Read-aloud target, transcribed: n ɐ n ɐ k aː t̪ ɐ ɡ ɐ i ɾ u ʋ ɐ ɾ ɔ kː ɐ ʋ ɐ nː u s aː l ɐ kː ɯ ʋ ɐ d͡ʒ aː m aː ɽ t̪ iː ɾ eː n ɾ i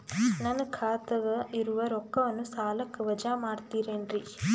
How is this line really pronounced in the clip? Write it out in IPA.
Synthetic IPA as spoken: n ɐ n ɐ kʰ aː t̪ ɐ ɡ ɐ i ɾ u ʋ ɐ ɾ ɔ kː ɐ ʋ ɐ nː u s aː l ɐ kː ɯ ʋ ɐ d͡ʒ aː m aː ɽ t̪ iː ɾ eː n ɾ i